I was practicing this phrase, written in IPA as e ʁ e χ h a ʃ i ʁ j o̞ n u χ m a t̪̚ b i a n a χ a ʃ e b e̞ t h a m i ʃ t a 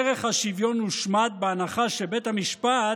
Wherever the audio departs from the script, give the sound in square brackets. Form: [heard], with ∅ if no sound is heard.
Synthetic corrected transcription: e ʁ e χ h a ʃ i [v] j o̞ n u [ʃ] m a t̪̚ b [e] a n a χ a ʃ e b e̞ t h a m i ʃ [p] a